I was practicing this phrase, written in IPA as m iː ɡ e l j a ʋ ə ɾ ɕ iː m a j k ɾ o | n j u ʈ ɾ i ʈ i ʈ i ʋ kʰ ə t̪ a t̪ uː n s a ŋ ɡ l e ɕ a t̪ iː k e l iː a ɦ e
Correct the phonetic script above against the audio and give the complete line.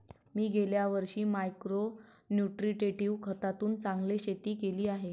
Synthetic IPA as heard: m iː ɡ e l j a ʋ ə ɾ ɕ iː m a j k ɾ o | n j u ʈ ɾ i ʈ e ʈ i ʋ kʰ ə t̪ a t̪ uː n t͡s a ŋ ɡ l e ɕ e t̪ iː k e l iː a ɦ e